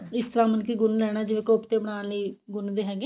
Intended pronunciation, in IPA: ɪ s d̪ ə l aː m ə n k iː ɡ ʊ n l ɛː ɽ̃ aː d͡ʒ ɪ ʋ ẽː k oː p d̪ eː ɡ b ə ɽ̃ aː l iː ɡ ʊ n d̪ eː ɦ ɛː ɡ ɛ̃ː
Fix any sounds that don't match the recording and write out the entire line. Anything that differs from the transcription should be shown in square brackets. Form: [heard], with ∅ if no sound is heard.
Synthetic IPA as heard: ɪ s [t̪] ə [ɾ] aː m ə n k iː ɡ ʊ n l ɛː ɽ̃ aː d͡ʒ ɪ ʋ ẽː k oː p [t̪] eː [∅] b ə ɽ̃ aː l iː ɡ ʊ n d̪ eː ɦ ɛː ɡ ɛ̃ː